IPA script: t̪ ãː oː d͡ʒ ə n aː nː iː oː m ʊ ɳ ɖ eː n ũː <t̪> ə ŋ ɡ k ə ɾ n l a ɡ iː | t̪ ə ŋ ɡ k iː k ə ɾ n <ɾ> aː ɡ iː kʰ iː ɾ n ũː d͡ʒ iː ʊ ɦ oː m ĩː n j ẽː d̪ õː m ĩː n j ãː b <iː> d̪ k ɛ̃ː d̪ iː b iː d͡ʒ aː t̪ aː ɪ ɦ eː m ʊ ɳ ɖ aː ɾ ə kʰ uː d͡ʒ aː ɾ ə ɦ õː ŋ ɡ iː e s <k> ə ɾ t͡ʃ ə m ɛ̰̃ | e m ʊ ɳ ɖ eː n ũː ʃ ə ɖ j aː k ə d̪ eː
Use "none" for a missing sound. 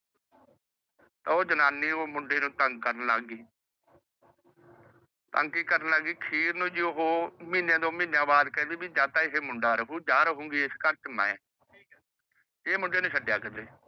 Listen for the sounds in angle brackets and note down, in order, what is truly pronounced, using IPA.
t̪, l, aː, k

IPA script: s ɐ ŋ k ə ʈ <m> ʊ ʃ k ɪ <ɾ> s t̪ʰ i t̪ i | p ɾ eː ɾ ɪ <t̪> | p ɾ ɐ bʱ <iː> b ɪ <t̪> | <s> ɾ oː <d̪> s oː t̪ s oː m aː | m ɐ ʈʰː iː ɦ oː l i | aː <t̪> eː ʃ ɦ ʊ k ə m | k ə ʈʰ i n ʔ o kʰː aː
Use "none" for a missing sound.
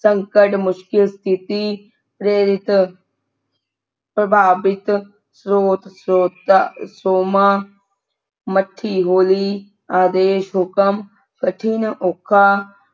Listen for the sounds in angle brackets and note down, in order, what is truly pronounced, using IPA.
m, l, t̪, aː, t̪, s, t̪, d̪

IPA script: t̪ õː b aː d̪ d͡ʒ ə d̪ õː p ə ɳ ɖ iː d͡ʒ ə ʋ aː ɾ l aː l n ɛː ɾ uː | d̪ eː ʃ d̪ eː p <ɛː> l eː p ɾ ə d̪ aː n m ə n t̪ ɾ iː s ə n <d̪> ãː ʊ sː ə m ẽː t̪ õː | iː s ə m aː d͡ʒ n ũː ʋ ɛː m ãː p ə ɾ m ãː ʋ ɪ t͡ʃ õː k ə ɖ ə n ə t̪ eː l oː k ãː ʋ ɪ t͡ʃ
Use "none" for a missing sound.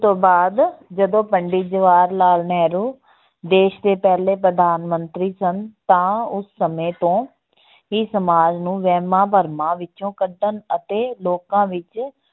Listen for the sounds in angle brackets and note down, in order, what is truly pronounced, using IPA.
ɛː, t̪

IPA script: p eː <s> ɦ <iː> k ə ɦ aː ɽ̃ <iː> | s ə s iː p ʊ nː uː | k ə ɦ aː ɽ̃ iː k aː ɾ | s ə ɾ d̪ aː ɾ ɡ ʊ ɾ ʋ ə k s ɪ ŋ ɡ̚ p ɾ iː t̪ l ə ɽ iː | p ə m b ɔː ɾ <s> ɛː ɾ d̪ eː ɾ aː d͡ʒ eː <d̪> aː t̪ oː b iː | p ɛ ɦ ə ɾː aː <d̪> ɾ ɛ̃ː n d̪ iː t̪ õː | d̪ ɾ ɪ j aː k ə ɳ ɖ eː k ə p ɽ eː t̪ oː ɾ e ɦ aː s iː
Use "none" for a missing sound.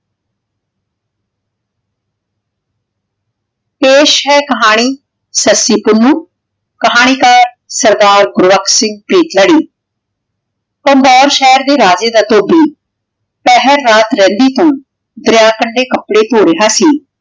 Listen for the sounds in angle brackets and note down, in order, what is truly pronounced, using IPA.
ʃ, ɛː, iː, ʃ, d̪, t̪

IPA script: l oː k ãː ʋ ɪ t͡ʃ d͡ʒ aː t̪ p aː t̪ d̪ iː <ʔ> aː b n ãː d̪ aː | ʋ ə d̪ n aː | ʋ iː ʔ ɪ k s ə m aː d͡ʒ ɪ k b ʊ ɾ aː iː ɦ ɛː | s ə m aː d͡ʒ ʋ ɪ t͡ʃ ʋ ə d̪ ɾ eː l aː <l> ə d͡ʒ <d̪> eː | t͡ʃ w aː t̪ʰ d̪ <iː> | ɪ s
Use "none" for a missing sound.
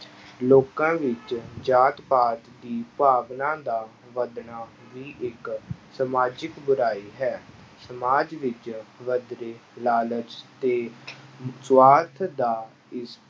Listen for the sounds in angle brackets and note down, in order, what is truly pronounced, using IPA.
p, l, t̪, aː

